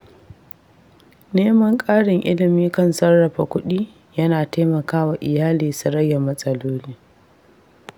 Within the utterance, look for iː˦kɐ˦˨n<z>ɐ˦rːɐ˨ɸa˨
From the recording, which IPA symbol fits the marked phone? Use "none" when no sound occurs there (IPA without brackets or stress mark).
s